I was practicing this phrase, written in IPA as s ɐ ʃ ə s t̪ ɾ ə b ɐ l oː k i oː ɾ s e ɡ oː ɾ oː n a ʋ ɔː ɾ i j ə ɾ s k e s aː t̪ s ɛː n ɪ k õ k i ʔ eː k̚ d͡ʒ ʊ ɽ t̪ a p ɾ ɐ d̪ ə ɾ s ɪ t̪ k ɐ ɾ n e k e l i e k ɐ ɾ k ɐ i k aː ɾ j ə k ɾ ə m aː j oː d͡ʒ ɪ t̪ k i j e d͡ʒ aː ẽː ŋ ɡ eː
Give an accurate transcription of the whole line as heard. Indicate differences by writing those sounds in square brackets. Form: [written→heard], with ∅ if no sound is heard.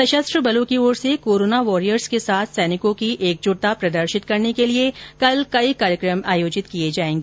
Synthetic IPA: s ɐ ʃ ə s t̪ ɾ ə b ɐ l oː k i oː ɾ s e [ɡ→k] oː ɾ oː n a ʋ ɔː ɾ i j ə ɾ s k e s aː [t̪→t̪ʰ] s ɛː n ɪ k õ k i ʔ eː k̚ d͡ʒ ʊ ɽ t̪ a p ɾ ɐ d̪ ə ɾ [s→ʃ] ɪ t̪ k ɐ ɾ n e k e l i e k ɐ [ɾ→l] k ɐ i k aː ɾ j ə k ɾ ə m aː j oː d͡ʒ ɪ t̪ k i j e d͡ʒ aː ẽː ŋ ɡ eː